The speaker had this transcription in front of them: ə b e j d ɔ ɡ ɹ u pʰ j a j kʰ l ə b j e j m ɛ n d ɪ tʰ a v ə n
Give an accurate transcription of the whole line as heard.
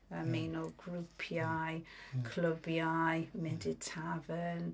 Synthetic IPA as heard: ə m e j n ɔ ɡ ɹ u pʰ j a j kʰ l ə b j a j m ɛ n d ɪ tʰ a v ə n